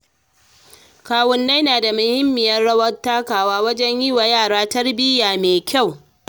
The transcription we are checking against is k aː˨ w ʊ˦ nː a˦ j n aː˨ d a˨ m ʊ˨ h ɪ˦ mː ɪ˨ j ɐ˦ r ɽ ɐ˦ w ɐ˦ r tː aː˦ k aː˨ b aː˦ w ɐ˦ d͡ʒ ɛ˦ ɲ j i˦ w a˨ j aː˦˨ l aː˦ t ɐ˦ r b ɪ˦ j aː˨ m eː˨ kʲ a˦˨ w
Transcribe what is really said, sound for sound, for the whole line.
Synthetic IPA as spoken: k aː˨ w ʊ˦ nː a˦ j n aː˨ d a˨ m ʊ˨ h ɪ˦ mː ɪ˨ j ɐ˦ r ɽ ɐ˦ w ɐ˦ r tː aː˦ k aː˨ w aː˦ w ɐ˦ d͡ʒ ɛ˦ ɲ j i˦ w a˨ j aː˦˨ ɽ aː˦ t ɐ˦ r b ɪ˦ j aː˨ m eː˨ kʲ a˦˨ w